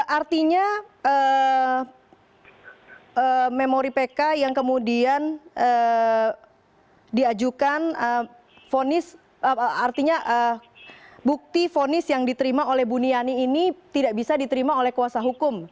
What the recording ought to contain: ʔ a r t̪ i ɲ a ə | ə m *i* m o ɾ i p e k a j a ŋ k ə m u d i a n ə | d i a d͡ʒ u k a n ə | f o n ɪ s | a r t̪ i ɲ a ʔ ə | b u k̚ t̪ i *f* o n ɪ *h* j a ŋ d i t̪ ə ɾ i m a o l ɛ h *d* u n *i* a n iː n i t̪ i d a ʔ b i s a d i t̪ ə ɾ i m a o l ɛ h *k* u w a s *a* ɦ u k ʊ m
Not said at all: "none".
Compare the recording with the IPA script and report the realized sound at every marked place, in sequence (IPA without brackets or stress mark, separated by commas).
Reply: e, f, s, b, i, k, a